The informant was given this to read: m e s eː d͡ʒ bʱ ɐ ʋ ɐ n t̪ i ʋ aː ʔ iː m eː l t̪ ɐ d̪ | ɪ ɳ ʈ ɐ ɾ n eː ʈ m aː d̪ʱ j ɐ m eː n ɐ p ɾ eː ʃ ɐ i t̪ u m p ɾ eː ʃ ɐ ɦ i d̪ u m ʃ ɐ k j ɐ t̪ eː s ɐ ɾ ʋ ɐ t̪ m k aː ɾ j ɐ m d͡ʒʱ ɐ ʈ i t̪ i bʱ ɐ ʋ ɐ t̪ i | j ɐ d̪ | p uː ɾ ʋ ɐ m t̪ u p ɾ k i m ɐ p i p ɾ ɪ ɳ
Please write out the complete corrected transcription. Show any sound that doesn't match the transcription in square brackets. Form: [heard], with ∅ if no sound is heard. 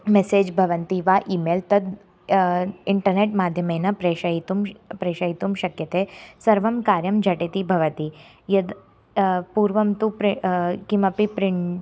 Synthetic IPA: m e s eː d͡ʒ bʱ ɐ ʋ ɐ n t̪ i ʋ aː ʔ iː m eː l t̪ ɐ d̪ | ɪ ɳ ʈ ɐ ɾ n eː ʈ m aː d̪ʱ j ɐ m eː n ɐ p ɾ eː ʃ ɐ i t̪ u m p ɾ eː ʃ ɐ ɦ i [t̪] u m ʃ ɐ k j ɐ t̪ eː s ɐ ɾ ʋ ɐ [∅] m k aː ɾ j ɐ m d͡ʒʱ ɐ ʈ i t̪ i bʱ ɐ ʋ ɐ t̪ i | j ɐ d̪ | p uː ɾ ʋ ɐ m t̪ u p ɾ k i m ɐ p i p ɾ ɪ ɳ